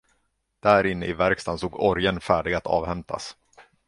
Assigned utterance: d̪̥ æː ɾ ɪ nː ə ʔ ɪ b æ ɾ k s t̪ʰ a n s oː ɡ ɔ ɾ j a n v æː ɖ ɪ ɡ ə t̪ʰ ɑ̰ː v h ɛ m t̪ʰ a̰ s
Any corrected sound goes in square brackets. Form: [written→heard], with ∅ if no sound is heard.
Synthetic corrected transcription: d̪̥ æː ɾ ɪ nː ə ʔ ɪ [b→v] æ ɾ k s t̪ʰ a n s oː ɡ ɔ ɾ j [a→ə] n [v→f] æː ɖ ɪ ɡ [ə→a] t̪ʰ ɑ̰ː v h ɛ m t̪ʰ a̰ s